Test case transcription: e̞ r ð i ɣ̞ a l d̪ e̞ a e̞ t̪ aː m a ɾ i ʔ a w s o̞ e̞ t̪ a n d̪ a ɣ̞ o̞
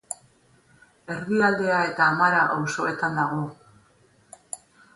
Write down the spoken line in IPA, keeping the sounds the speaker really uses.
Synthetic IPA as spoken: e̞ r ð i a l d̪ e̞ a e̞ t̪ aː m a ɾ a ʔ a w s o̞ e̞ t̪ a n d̪ a ɣ̞ o̞